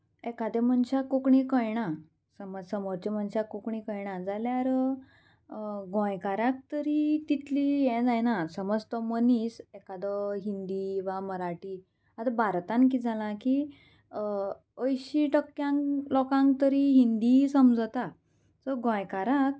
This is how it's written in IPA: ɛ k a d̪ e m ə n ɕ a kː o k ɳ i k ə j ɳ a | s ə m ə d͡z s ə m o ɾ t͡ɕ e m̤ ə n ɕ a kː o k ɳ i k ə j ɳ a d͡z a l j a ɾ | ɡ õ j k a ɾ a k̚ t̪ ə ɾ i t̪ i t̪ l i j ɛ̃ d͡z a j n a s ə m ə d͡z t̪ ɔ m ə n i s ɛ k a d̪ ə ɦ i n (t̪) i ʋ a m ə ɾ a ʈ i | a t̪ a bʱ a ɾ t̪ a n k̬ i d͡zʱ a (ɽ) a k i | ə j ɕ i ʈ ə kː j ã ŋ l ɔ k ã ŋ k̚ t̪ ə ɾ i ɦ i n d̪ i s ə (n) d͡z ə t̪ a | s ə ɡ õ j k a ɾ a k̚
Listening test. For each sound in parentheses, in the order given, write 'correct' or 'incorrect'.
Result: incorrect: d̪, incorrect: l, incorrect: m

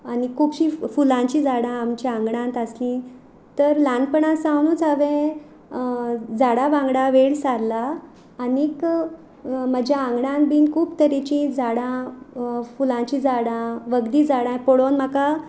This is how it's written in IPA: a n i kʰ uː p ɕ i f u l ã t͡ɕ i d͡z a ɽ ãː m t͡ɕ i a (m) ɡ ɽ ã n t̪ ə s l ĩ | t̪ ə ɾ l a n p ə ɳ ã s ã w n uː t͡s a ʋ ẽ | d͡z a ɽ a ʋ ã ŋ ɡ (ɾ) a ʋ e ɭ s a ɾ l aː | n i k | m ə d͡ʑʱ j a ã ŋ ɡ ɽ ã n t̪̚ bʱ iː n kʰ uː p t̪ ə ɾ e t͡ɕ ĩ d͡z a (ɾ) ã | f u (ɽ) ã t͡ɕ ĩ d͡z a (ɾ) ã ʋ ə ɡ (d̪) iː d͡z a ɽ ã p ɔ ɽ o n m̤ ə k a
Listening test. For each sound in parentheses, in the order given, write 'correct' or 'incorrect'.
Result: incorrect: ŋ, incorrect: ɽ, incorrect: ɽ, incorrect: l, incorrect: ɽ, correct

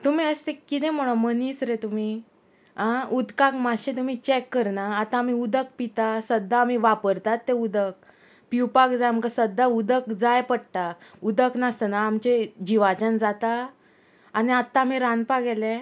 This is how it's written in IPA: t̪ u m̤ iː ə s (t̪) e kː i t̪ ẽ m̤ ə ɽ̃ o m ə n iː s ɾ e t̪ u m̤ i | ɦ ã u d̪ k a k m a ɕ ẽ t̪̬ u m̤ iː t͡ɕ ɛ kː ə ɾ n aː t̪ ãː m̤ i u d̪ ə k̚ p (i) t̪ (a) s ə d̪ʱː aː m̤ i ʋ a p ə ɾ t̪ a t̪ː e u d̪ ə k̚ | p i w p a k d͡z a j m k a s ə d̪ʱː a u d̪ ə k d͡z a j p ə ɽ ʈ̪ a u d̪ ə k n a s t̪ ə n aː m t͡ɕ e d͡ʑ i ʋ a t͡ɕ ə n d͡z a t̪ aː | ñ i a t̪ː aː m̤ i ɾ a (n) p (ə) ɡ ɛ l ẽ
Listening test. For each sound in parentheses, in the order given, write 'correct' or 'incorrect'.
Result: correct, correct, correct, correct, incorrect: a

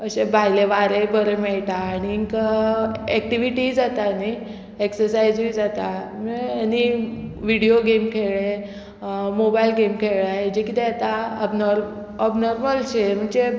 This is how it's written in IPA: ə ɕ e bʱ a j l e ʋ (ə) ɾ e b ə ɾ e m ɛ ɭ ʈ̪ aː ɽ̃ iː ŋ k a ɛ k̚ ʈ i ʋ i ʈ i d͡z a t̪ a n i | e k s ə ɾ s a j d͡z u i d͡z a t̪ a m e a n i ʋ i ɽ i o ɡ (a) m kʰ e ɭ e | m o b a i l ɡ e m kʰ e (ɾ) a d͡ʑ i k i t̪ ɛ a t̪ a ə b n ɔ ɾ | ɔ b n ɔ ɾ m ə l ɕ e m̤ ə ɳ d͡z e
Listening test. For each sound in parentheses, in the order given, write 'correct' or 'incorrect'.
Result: incorrect: a, incorrect: e, incorrect: ɭ

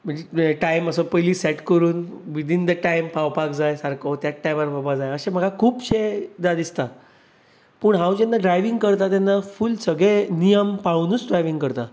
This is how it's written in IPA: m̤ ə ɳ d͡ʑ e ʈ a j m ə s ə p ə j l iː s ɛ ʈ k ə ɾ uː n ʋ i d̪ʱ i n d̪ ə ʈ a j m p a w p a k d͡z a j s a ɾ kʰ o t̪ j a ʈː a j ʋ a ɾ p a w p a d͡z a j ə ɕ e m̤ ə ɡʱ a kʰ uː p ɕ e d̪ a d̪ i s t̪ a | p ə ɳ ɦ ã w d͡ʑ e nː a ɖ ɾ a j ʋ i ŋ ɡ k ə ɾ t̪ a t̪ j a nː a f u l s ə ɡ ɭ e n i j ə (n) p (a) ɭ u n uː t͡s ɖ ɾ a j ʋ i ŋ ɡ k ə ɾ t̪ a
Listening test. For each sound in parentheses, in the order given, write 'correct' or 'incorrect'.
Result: incorrect: m, correct

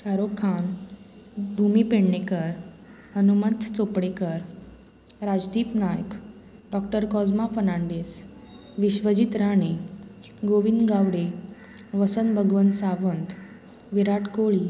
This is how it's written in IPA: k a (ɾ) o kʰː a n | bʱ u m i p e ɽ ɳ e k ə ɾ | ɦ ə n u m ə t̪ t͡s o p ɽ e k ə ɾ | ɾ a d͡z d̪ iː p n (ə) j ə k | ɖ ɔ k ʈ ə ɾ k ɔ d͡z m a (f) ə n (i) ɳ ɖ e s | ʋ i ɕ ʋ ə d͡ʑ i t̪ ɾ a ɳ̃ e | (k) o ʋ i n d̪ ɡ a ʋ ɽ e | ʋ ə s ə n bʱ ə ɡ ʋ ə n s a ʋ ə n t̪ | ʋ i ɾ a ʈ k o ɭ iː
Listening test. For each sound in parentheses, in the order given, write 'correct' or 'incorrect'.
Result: correct, incorrect: a, correct, incorrect: a, incorrect: ɡ

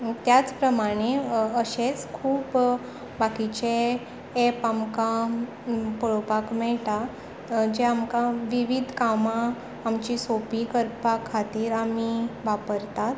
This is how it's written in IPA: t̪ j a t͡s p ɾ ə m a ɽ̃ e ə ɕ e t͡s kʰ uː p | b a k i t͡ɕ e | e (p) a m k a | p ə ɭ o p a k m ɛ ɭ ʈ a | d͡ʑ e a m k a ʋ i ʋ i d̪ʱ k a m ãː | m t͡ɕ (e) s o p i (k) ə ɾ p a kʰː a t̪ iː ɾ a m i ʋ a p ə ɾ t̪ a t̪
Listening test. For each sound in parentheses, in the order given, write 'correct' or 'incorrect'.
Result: correct, incorrect: i, correct

